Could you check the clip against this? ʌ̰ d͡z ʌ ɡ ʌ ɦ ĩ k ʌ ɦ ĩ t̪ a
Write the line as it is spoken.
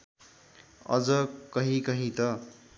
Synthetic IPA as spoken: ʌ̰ d͡z ʌ k ʌ ɦ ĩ k ʌ ɦ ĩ t̪ ʌ